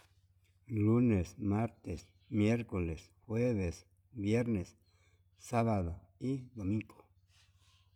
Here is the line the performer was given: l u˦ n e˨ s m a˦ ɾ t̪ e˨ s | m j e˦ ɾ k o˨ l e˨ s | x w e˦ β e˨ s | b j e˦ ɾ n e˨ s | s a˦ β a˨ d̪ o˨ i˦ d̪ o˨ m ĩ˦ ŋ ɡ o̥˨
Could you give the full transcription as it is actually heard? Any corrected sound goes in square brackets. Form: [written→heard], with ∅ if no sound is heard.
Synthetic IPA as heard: l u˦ n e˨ s m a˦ ɾ t̪ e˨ s | m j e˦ ɾ k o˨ l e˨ s | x w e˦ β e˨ s | b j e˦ ɾ n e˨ s | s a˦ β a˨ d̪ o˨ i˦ d̪ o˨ m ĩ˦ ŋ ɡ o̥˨